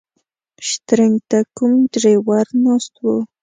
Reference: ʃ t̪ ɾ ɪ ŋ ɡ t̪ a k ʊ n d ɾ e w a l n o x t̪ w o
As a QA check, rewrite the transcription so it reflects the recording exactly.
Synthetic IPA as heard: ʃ t̪ ɾ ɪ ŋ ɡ t̪ a k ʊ m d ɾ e w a ɾ n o s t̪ w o